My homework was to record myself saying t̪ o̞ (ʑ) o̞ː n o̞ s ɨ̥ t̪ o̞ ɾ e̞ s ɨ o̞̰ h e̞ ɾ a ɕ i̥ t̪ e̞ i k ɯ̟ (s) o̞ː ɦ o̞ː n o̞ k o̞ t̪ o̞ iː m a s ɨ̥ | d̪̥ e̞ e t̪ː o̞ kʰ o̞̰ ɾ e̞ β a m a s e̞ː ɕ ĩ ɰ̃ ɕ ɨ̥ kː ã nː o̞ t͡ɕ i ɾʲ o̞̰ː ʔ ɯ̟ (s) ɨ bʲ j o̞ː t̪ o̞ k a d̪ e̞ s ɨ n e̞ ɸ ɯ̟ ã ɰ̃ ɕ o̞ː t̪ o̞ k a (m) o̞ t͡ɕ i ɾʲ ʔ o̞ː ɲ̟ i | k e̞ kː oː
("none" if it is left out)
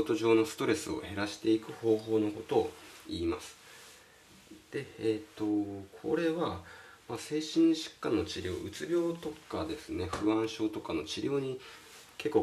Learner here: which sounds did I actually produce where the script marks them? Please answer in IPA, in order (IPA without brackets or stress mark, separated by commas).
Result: ʑ, h, t͡s, n